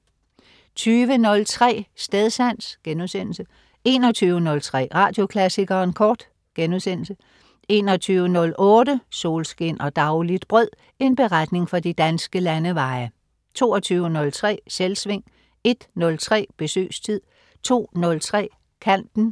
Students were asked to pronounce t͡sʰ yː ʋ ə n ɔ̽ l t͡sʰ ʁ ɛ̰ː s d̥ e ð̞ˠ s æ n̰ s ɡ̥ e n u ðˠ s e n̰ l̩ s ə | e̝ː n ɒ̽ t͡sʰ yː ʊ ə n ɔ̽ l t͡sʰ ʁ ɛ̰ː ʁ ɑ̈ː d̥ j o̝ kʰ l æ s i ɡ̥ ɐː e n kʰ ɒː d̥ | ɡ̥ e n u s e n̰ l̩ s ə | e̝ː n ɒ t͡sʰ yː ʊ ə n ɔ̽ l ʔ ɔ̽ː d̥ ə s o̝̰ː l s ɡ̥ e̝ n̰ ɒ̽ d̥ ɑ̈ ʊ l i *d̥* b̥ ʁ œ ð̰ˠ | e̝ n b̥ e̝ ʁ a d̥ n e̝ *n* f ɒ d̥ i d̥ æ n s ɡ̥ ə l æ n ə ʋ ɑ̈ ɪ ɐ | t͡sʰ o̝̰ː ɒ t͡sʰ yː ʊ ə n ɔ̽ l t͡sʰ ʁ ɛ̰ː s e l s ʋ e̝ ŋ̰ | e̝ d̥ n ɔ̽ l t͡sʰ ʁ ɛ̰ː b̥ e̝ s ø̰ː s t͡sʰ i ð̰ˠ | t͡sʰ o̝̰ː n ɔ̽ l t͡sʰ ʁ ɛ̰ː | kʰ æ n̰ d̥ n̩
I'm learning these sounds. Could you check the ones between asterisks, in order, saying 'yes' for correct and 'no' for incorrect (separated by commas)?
yes, no